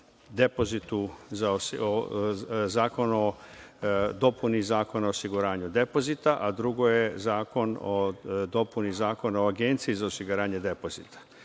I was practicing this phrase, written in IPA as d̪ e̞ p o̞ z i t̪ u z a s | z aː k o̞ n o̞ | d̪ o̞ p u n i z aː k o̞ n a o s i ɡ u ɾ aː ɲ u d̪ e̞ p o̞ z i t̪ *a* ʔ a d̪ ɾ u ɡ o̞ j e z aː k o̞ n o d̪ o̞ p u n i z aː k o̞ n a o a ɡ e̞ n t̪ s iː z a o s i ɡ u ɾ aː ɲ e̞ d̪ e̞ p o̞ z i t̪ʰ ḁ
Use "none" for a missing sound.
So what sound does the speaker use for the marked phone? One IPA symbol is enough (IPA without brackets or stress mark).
a